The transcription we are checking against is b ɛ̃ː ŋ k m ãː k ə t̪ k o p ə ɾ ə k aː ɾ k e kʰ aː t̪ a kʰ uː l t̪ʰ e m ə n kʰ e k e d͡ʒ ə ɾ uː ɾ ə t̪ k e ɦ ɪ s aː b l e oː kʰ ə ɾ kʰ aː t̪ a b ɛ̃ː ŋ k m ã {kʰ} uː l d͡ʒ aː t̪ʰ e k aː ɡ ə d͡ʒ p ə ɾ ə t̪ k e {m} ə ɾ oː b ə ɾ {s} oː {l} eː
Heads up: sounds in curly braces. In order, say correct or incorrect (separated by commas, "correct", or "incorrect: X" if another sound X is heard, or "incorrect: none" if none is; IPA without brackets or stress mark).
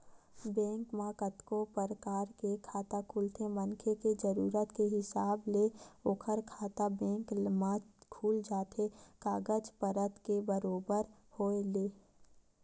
correct, incorrect: b, incorrect: h, correct